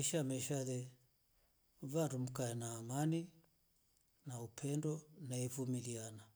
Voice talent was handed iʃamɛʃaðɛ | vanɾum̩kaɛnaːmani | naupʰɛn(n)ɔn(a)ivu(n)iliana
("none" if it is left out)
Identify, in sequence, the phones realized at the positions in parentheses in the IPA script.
d, a, m

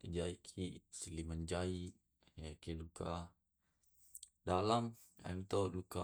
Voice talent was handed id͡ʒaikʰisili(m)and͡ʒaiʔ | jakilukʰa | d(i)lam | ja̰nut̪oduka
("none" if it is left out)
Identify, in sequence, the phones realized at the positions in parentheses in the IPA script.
m, a

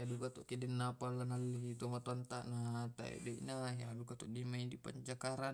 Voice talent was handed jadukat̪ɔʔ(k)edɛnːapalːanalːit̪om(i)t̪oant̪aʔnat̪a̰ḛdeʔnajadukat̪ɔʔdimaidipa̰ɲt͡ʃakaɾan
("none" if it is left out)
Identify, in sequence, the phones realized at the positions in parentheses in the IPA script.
k, a

